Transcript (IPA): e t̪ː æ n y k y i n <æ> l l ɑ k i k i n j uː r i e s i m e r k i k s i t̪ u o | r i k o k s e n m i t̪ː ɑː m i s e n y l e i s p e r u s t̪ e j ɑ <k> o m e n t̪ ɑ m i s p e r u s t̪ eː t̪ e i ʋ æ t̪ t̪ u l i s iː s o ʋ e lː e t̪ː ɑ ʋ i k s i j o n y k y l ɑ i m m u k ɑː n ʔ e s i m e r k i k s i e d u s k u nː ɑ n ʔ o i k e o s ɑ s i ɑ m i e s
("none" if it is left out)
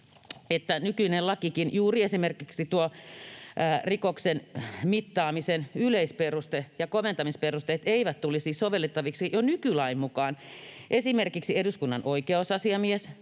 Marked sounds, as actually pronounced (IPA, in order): e, k

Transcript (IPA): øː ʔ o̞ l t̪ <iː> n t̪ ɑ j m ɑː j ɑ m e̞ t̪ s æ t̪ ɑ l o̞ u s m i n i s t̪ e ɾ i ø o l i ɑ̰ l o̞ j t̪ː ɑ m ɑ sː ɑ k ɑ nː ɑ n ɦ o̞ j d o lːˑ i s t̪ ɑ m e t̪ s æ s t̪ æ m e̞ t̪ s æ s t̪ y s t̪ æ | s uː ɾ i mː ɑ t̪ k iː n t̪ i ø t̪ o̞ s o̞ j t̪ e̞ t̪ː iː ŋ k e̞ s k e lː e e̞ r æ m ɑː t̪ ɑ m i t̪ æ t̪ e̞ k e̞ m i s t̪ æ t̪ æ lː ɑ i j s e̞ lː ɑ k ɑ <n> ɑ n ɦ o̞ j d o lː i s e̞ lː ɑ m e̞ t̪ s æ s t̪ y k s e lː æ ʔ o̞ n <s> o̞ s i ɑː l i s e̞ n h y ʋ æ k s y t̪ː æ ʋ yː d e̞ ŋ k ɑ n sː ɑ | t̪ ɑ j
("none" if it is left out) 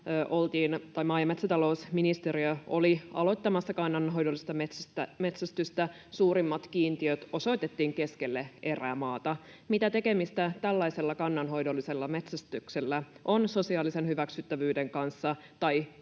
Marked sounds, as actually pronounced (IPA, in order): iː, nː, s

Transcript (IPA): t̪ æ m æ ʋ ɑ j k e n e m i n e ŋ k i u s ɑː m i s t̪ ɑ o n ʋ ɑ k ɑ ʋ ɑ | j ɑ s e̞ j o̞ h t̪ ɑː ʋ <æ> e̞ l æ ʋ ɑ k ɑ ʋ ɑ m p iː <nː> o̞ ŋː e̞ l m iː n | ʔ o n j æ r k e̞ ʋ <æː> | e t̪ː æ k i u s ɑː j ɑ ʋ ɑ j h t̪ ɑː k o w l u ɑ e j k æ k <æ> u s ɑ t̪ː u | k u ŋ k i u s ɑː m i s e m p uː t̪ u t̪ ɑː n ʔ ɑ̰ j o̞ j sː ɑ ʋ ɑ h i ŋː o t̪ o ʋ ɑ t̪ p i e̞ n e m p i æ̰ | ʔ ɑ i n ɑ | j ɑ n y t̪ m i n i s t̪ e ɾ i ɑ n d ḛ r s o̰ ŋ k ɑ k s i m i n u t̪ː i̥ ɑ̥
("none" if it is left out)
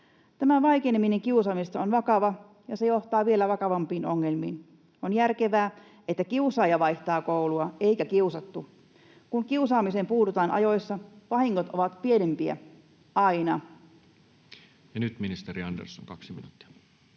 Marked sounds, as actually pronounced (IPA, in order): i, n, æː, i

